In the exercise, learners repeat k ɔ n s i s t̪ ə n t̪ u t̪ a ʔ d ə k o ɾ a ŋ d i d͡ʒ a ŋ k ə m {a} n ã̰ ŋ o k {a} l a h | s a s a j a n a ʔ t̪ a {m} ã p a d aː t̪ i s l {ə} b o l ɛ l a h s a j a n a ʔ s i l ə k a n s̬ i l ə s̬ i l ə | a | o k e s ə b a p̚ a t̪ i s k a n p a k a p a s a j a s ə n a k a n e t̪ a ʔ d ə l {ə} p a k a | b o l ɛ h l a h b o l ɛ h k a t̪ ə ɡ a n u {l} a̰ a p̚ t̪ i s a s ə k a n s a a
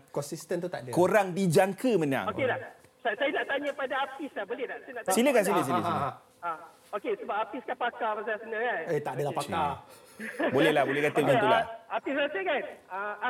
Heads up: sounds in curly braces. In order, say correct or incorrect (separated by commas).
incorrect, incorrect, incorrect, incorrect, incorrect, correct